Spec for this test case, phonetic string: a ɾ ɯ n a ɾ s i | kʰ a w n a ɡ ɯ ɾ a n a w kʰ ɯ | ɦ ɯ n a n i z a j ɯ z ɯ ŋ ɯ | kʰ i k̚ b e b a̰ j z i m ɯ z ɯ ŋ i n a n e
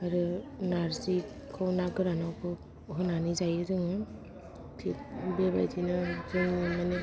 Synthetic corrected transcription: a ɾ ɯ n a ɾ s i | kʰ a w n a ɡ ɯ ɾ a n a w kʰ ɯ | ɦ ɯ n a n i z a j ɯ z ɯ ŋ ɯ | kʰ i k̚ b e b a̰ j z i n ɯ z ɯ ŋ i m a n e